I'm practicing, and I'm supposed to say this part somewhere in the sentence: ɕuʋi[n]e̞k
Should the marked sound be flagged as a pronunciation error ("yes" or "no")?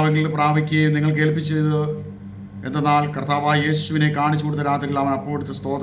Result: no